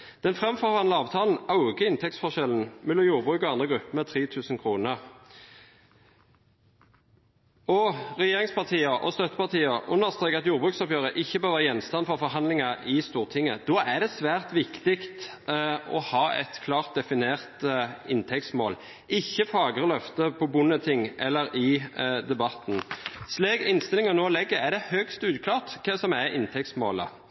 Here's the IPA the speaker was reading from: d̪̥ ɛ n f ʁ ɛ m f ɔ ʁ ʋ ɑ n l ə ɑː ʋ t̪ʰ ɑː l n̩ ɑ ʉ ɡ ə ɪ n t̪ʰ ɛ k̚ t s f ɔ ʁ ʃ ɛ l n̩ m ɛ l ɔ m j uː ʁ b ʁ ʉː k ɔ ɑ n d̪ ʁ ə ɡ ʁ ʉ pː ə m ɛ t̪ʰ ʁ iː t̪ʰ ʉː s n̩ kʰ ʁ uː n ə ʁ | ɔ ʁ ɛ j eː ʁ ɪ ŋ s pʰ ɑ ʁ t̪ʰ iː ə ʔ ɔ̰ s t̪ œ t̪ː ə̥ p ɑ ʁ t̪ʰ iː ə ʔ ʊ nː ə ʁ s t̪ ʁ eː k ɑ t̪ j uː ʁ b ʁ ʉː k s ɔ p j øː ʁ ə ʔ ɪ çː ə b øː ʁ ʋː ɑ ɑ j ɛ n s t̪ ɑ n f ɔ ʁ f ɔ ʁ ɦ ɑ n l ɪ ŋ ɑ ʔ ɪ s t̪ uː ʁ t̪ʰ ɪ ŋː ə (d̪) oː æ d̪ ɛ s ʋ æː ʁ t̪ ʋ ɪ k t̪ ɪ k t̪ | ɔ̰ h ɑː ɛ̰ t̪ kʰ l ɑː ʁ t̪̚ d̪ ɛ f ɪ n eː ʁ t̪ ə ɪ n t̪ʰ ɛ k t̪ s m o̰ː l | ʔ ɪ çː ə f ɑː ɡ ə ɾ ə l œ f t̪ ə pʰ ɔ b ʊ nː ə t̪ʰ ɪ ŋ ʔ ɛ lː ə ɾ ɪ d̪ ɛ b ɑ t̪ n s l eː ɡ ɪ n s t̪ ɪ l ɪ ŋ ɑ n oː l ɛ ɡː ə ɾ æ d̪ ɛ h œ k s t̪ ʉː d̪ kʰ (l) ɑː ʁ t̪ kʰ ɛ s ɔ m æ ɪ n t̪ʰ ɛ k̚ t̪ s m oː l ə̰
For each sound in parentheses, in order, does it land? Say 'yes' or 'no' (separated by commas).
yes, yes